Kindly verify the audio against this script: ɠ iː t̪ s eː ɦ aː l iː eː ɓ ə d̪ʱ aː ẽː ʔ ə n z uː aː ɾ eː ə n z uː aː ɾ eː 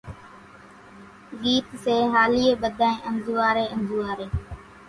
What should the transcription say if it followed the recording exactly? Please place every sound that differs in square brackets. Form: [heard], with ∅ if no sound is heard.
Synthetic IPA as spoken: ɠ iː t̪ s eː ɦ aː l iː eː ɓ ə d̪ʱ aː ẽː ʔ ə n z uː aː ɾ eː ə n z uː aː ɾ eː